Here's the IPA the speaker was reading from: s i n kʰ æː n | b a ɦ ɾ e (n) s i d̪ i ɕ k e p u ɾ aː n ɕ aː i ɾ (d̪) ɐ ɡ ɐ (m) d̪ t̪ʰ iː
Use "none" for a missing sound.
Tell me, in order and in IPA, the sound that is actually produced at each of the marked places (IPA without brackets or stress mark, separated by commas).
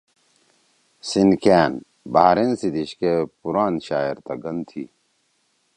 n, t̪, n